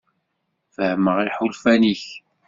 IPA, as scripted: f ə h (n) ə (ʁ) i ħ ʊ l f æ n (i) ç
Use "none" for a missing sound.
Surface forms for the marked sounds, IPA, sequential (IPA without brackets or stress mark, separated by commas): m, ʁ, i